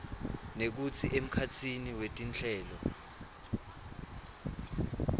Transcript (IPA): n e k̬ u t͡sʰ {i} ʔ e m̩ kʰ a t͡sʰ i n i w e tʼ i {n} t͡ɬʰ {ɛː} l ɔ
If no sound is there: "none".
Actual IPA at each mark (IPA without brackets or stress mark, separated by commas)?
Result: i, n, ɛː